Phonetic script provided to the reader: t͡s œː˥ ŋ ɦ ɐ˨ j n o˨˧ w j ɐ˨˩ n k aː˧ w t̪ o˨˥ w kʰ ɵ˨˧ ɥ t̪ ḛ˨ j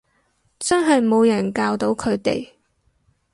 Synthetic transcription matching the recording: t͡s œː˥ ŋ ɦ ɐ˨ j m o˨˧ w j ɐ˨˩ n k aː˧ w t̪ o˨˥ w kʰ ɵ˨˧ ɥ t̪ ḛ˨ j